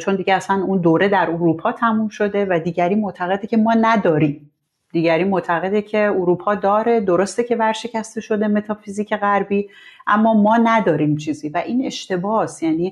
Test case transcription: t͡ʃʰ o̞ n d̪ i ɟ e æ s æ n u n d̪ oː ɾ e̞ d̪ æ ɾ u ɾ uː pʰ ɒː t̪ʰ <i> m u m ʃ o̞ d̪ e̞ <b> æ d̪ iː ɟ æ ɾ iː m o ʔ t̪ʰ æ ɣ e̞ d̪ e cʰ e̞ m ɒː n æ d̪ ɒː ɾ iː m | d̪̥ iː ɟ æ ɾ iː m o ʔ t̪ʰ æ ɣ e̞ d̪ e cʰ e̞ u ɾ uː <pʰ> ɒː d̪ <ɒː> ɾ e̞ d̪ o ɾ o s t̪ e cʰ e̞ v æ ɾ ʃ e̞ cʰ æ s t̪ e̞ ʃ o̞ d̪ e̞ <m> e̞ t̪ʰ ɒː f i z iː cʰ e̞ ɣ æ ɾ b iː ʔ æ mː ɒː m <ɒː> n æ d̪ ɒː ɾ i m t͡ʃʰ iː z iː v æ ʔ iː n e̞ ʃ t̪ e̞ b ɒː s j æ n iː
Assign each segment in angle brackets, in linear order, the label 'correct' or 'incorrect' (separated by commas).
incorrect, incorrect, correct, correct, correct, correct